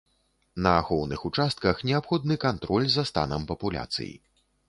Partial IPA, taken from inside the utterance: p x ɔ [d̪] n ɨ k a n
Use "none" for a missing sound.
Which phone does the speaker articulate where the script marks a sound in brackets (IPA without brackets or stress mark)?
d̪